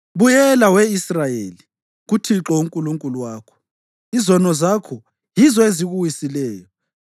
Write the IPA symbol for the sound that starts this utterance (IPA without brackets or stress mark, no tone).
β